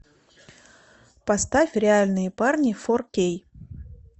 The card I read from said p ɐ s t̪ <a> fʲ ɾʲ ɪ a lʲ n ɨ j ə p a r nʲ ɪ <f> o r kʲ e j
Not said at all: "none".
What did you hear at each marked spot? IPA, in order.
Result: a, f

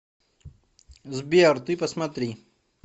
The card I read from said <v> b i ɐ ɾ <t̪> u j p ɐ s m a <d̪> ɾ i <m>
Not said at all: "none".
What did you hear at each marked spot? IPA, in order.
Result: z, t̪, t̪, none

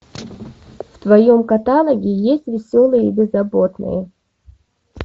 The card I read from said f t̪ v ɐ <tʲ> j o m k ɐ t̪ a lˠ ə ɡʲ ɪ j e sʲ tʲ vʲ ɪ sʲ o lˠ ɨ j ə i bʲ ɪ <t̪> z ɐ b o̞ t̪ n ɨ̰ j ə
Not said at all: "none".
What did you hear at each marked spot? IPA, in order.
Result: none, none

